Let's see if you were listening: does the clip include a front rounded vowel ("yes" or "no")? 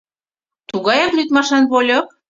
yes